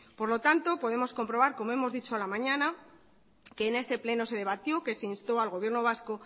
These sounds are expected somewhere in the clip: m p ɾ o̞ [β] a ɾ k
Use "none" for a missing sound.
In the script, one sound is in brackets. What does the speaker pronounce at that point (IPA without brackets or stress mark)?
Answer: β